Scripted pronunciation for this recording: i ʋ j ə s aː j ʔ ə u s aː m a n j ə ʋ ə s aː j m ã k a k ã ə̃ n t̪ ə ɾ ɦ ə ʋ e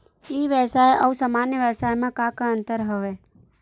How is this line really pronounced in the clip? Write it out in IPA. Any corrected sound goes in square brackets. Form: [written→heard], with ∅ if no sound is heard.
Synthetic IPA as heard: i ʋ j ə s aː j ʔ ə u s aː m a n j ə ʋ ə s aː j m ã k a k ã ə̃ n t̪ ə ɾ ɦ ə ʋ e